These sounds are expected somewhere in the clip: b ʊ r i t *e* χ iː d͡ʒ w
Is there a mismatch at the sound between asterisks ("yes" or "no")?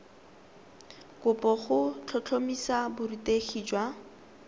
no